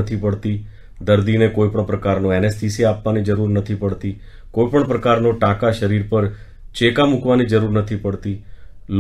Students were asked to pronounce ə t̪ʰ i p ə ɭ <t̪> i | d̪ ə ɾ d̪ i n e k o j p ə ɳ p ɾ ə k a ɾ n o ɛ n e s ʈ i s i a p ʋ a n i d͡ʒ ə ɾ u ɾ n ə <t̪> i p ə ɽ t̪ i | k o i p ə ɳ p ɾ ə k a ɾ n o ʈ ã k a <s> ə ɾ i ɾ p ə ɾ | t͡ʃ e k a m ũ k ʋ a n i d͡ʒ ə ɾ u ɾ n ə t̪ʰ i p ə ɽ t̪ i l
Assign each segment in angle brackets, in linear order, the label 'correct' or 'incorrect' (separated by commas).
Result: correct, incorrect, incorrect